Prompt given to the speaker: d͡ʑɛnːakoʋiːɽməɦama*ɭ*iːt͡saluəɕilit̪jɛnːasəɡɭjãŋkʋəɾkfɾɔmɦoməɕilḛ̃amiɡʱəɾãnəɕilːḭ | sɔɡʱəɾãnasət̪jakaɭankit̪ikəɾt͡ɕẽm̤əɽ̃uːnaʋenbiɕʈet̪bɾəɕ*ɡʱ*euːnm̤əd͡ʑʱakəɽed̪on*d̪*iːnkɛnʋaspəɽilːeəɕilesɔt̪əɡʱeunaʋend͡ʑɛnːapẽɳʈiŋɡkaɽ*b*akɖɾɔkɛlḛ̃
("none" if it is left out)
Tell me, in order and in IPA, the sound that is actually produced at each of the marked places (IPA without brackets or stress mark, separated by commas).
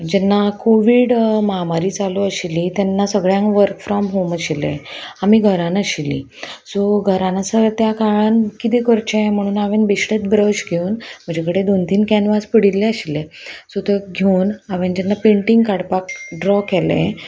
ɾ, ɡʱ, t̪, p